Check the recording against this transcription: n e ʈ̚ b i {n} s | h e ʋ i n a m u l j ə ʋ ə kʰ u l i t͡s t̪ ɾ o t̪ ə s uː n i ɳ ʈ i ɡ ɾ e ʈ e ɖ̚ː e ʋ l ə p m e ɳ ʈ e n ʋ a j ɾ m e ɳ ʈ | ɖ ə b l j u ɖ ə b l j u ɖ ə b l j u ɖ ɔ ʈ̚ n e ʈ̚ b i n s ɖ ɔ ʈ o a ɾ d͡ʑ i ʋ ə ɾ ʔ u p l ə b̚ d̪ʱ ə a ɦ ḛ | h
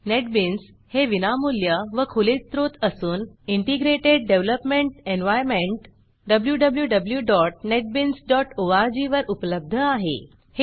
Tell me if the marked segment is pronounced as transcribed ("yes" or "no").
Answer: yes